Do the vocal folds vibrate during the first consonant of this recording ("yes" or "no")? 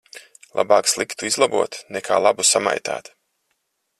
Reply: yes